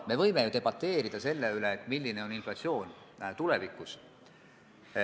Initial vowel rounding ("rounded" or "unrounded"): unrounded